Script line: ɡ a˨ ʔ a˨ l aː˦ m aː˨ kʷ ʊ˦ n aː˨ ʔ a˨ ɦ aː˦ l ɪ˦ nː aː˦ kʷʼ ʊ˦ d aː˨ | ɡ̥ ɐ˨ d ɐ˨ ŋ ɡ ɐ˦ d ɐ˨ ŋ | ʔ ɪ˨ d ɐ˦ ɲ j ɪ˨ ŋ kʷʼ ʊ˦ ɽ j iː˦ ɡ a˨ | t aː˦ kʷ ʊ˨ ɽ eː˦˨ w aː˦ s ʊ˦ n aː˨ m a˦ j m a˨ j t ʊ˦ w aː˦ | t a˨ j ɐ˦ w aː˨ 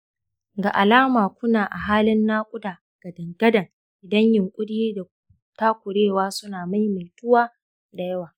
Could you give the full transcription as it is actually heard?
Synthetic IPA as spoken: ɡ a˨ ʔ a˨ l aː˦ m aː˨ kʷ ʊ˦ n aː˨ ʔ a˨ ɦ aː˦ l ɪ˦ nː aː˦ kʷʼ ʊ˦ d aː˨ | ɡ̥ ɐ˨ d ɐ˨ ŋ ɡ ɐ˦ d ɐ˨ ŋ | ʔ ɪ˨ d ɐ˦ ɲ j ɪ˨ ŋ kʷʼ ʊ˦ ɽ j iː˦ d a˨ | t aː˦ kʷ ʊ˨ ɽ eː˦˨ w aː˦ s ʊ˦ n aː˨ m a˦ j m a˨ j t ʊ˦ w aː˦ | d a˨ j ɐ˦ w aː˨

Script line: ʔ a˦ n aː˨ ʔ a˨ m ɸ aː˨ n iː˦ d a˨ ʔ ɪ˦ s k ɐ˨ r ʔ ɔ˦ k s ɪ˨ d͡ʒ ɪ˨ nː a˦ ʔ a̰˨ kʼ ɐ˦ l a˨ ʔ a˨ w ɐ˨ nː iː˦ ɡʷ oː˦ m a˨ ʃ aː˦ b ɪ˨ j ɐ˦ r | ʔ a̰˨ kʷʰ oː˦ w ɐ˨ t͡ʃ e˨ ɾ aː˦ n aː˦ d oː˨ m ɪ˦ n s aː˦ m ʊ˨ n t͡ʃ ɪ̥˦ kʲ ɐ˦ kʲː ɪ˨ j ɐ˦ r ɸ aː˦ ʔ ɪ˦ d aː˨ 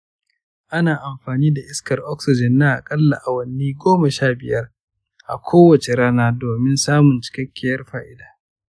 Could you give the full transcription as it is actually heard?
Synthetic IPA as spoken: ʔ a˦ n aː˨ ʔ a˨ m ɸ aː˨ n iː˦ d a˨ ʔ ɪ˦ s k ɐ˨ r ʔ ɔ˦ k s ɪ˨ d͡ʒ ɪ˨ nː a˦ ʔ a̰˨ kʼ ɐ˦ lː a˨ ʔ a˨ w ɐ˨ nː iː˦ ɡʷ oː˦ m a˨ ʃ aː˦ b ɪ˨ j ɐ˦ r | ʔ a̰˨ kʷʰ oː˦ w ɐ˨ t͡ʃ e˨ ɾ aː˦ n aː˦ d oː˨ m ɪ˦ n s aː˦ m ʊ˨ n t͡ʃ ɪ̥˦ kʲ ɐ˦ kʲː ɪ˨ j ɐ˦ r ɸ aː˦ ʔ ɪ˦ d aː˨

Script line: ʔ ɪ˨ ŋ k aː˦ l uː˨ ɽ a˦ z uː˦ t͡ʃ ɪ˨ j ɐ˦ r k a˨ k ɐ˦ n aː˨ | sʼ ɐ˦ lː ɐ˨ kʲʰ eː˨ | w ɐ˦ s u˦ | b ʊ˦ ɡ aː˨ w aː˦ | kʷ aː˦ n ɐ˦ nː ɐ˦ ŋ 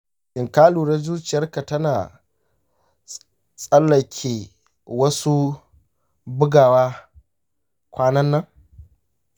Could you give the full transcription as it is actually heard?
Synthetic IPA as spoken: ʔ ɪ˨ ŋ k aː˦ l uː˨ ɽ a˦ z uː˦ t͡ʃ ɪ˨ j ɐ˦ r k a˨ t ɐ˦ n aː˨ | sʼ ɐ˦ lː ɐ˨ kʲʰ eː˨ | w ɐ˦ s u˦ | b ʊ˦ ɡ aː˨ w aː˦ | kʷ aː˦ n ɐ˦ nː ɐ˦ ŋ

